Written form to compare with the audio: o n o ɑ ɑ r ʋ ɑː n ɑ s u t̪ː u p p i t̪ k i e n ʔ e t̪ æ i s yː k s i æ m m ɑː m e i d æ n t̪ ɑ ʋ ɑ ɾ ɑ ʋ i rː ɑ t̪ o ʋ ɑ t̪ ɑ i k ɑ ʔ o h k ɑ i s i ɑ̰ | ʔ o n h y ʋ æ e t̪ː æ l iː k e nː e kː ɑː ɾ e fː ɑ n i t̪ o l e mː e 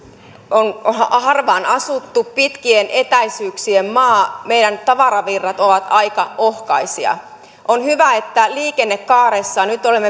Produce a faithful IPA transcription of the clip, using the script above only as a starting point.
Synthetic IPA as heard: o n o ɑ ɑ r ʋ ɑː n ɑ s u t̪ː u p p i t̪ k i e n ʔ e t̪ æ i s yː k s i e m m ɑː m e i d æ n t̪ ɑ ʋ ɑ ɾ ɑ ʋ i rː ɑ t̪ o ʋ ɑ t̪ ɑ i k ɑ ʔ o h k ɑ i s i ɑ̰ | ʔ o n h y ʋ æ e t̪ː æ l iː k e nː e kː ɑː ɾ e sː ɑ n y t̪ o l e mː e